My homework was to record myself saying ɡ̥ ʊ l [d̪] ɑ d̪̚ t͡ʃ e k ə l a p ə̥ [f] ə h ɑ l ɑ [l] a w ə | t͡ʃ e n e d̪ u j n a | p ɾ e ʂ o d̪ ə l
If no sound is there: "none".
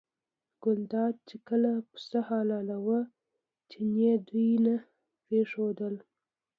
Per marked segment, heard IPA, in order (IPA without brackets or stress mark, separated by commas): d̪, s, l